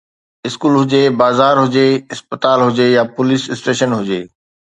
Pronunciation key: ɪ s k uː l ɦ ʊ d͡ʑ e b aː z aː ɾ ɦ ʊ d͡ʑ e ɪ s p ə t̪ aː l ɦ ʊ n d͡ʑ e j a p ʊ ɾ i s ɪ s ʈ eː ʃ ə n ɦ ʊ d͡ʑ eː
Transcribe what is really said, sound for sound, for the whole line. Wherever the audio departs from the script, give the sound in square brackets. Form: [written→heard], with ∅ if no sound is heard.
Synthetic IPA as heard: ɪ s k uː l ɦ ʊ d͡ʑ e b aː z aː ɾ ɦ ʊ d͡ʑ e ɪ s p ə t̪ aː l ɦ ʊ [n→∅] d͡ʑ e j a p ʊ [ɾ→l] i s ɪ s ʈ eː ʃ ə n ɦ ʊ d͡ʑ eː